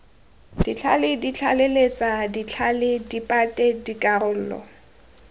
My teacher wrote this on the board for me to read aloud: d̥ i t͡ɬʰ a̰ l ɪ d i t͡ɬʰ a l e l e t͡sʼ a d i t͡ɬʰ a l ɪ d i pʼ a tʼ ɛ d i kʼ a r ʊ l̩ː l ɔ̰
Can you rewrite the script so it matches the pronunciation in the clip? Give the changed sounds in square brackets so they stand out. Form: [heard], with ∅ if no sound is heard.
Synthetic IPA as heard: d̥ i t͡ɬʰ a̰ l ɪ d i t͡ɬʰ a l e l e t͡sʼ a d i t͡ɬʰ a l ɪ d i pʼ a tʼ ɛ d i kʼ a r ʊ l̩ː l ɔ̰